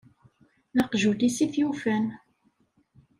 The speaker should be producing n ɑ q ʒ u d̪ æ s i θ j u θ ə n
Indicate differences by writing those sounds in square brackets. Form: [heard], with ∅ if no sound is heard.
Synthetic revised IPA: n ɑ q ʒ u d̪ [i] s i θ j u [f] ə n